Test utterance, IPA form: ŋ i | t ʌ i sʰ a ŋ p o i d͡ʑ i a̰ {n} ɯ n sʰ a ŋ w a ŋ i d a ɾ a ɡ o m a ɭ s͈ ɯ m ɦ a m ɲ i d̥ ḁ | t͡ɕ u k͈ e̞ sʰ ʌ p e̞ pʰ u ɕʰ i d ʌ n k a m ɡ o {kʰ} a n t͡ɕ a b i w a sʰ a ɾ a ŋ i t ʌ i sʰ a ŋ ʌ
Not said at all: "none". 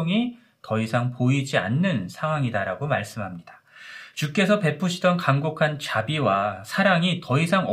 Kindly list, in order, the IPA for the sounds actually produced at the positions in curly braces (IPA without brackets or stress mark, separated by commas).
nː, kʰ